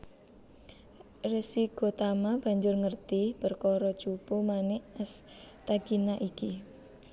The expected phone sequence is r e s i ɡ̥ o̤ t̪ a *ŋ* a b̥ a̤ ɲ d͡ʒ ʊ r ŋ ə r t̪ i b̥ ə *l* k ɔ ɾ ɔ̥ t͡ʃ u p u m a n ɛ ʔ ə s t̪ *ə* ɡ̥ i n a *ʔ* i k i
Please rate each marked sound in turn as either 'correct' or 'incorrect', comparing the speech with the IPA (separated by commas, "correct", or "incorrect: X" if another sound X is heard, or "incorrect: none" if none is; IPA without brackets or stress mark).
incorrect: m, incorrect: r, incorrect: a, correct